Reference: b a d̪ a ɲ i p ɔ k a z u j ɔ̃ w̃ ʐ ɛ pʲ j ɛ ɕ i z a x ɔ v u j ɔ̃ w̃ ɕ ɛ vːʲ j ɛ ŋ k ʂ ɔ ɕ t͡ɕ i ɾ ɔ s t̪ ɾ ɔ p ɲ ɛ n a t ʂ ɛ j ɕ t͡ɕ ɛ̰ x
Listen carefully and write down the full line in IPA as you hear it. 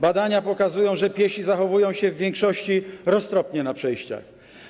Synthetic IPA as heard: b a d̪ a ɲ a p ɔ k a z u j ɔ̃ w̃ ʐ ɛ pʲ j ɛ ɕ i z a x ɔ v u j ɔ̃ w̃ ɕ ɛ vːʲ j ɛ ŋ k ʂ ɔ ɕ t͡ɕ i ɾ ɔ s t̪ ɾ ɔ p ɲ ɛ n a p ʂ ɛ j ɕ t͡ɕ a̰ x